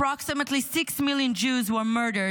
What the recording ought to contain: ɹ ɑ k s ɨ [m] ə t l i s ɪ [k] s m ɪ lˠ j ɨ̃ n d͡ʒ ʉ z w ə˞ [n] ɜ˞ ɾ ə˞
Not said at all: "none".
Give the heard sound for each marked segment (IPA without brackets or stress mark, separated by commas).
m, k, m